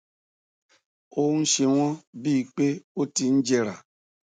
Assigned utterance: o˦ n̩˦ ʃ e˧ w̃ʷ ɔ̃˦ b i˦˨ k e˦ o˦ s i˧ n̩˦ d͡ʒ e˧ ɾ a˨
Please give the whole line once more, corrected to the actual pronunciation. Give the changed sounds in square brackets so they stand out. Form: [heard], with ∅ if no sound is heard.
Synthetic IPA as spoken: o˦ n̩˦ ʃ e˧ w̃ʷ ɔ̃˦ b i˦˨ [k͡p] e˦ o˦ [t] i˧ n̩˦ d͡ʒ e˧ ɾ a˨